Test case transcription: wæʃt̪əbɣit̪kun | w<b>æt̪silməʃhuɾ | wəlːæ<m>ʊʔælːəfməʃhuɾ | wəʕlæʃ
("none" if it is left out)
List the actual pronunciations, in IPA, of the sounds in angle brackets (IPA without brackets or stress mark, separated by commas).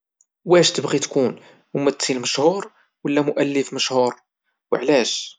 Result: m, m